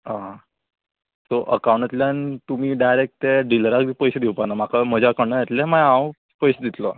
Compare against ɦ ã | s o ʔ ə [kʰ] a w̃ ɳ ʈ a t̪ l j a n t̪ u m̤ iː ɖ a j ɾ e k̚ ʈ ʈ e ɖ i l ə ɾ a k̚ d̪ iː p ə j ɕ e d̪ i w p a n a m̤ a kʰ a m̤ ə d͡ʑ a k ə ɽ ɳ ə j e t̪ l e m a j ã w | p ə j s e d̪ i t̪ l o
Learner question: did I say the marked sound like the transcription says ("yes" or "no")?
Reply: no